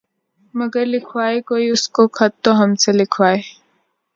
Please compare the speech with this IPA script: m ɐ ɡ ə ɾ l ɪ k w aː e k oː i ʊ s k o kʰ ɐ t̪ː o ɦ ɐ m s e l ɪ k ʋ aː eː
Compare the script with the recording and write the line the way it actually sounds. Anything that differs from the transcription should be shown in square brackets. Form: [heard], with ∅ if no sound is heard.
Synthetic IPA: m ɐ ɡ ə ɾ l ɪ [kʰ] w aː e k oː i ʊ s k o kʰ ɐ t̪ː o ɦ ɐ m s e l ɪ [kʰ] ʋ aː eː